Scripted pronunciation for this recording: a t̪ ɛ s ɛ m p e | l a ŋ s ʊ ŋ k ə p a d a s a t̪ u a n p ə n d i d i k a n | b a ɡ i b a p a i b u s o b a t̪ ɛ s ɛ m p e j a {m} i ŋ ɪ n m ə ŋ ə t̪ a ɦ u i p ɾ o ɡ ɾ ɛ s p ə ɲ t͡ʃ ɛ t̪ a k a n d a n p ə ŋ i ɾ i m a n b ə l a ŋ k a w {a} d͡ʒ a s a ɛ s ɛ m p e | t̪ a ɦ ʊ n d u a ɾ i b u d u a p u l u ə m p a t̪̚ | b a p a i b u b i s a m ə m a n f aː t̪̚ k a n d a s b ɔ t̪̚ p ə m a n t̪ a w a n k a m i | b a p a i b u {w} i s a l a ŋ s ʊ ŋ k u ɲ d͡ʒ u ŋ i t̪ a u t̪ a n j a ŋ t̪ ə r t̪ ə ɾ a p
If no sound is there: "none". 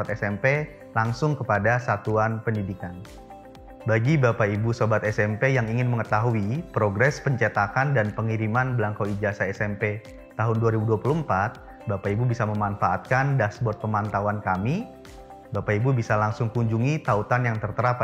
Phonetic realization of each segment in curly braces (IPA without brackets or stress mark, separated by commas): ŋ, i, b